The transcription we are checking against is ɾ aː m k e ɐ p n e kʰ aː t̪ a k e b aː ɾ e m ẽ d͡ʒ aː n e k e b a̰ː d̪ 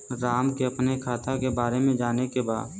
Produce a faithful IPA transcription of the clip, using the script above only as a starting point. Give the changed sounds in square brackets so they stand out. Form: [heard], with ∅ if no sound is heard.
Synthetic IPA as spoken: ɾ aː m k e ɐ p n e kʰ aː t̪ a k e b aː ɾ e m ẽ d͡ʒ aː n e k e b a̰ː d̪

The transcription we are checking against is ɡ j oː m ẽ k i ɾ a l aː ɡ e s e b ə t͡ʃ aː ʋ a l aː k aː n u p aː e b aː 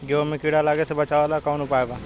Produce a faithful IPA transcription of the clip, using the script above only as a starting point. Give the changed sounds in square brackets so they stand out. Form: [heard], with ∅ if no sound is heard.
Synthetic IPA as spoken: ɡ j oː m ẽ k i [ɽ] a l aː ɡ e s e b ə t͡ʃ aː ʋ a l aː k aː n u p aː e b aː

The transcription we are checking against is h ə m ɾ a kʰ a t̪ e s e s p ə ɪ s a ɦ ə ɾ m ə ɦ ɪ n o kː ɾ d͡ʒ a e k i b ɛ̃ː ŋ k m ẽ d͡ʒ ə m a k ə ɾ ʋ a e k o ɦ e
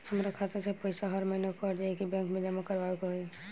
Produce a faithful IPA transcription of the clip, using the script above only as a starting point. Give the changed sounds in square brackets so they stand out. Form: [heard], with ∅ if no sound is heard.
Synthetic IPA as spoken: h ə m ɾ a kʰ a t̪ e s e [∅] p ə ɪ s a ɦ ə ɾ m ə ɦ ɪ n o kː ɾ d͡ʒ a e k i b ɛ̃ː ŋ k m ẽ d͡ʒ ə m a k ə ɾ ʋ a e k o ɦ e

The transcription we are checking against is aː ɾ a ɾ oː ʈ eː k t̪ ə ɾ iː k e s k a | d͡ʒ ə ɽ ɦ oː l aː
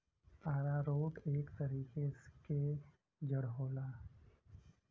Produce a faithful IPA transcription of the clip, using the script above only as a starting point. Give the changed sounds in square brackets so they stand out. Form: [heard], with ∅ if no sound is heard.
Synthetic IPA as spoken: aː ɾ a ɾ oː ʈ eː k t̪ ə ɾ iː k e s k [e] | d͡ʒ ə ɽ ɦ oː l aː

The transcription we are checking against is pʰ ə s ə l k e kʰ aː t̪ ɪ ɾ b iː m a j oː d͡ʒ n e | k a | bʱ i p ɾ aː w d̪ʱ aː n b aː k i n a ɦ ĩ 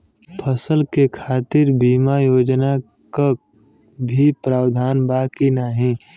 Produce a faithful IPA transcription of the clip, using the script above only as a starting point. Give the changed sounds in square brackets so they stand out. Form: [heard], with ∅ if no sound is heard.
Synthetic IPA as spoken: pʰ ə s ə l k e kʰ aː t̪ ɪ ɾ b iː m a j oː d͡ʒ n [a] | k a | bʱ i p ɾ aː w d̪ʱ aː n b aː k i n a ɦ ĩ

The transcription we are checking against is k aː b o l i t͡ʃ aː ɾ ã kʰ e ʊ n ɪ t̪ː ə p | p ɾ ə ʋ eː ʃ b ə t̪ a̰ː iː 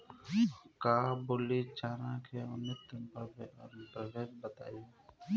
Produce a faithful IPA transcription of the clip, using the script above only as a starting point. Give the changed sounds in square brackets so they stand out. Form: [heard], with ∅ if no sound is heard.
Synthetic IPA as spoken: k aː b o l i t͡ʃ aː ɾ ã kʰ e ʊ n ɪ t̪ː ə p | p ɾ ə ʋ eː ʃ b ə t̪ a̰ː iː

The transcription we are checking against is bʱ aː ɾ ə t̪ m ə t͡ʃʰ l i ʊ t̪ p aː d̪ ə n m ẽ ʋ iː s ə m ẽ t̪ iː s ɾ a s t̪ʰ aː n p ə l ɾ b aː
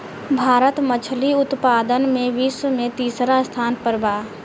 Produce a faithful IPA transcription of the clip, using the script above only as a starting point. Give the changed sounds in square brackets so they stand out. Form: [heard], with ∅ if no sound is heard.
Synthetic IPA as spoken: bʱ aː ɾ ə t̪ m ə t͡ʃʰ l i ʊ t̪ p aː d̪ ə n m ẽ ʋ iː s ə m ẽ t̪ iː s ɾ a s t̪ʰ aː n p ə [∅] ɾ b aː

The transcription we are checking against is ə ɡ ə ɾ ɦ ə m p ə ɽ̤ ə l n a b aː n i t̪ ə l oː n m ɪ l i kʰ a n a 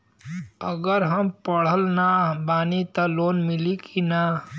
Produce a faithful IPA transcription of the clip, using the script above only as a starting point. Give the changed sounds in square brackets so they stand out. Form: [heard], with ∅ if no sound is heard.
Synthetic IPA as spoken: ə ɡ ə ɾ ɦ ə m p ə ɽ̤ ə l n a b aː n i t̪ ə l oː n m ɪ l i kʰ [i] n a

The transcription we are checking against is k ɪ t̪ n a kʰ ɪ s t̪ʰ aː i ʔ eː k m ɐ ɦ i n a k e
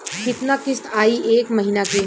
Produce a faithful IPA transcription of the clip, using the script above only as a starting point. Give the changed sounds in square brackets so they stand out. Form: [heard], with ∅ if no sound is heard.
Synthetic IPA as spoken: k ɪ t̪ n a [k] ɪ s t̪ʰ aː i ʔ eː k m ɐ ɦ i n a k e

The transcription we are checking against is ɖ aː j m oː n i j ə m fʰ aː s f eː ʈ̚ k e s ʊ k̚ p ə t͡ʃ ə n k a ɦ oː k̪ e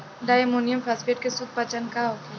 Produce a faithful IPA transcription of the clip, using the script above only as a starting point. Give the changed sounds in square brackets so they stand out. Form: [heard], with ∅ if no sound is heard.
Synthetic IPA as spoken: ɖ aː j m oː n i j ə m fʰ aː s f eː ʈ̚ k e s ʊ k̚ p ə t͡ʃ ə n k a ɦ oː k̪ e

